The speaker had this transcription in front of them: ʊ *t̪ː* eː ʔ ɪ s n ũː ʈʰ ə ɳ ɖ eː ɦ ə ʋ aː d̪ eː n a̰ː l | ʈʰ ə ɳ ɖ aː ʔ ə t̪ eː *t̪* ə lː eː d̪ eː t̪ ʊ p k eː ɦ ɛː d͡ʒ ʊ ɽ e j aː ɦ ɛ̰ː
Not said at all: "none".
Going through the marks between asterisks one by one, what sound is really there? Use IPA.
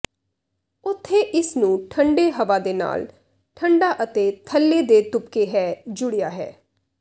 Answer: t̪ʰː, t̪ʰ

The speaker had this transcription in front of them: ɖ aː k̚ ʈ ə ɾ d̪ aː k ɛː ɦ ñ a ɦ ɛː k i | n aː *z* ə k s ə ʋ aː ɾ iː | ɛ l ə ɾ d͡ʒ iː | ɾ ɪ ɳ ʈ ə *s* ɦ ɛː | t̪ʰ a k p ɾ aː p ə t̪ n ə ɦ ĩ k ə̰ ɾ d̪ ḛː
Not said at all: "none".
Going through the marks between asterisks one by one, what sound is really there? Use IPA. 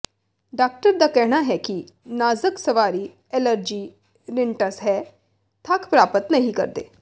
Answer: z, s

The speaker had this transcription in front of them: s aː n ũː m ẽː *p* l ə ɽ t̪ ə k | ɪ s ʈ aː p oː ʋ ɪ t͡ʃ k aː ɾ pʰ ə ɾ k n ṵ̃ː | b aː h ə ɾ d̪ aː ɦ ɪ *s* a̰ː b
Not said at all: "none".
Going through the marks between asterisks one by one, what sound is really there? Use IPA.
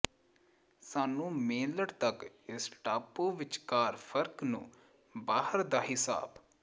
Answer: none, s

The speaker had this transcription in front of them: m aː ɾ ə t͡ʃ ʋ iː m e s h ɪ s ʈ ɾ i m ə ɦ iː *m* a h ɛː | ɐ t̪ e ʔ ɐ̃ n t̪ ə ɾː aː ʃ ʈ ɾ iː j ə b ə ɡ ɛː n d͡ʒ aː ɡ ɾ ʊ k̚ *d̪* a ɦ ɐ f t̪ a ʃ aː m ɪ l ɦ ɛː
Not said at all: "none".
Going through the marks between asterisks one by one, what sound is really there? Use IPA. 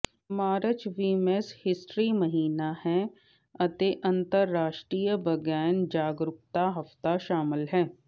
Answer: n, t̪

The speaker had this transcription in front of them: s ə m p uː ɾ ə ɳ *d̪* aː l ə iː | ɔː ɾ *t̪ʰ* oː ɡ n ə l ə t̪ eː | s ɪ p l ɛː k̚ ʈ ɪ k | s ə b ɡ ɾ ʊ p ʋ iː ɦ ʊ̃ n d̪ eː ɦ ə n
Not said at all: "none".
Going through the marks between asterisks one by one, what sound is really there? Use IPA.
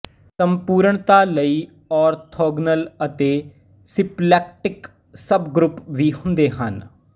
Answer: t̪, t̪ʰ

